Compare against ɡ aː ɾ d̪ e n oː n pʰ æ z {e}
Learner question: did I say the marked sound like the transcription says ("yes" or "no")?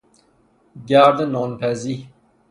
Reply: no